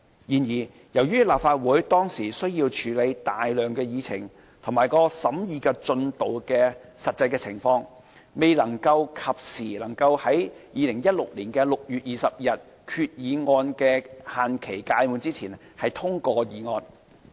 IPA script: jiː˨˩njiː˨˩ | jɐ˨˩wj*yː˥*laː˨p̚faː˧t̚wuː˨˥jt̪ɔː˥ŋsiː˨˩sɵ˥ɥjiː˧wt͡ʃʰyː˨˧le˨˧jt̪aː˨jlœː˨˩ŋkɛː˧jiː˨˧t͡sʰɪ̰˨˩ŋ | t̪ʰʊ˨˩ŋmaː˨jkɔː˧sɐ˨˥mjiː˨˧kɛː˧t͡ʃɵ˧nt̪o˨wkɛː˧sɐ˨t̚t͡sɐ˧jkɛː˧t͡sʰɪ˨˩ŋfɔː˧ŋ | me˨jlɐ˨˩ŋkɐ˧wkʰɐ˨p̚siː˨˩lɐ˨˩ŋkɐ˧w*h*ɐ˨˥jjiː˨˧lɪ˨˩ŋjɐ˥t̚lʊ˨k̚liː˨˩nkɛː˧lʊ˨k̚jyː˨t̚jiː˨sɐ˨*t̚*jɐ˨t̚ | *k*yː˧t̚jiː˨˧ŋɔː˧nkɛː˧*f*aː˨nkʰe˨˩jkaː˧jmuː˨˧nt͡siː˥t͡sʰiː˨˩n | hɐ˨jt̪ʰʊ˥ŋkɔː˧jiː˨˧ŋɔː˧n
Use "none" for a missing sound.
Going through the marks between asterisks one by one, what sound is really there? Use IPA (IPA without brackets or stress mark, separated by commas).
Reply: yː˥, h, p̚, kʰ, h